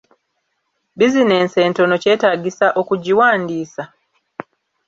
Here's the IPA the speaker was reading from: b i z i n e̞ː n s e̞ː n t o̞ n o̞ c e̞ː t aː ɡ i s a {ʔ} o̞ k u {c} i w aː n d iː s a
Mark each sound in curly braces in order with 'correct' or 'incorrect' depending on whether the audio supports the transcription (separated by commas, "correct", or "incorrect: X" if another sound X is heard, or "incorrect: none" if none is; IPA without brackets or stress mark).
correct, incorrect: ɟ